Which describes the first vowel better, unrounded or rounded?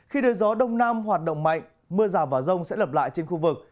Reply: unrounded